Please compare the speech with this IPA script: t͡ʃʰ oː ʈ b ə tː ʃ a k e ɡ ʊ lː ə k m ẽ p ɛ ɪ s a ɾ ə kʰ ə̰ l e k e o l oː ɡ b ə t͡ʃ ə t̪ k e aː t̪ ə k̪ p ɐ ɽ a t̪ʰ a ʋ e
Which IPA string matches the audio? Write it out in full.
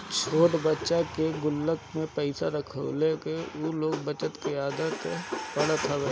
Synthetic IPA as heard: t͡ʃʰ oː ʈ b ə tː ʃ a k e ɡ ʊ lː ə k m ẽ p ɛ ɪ s a ɾ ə kʰ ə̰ l e k e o l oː ɡ b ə t͡ʃ ə t̪ k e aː d̪ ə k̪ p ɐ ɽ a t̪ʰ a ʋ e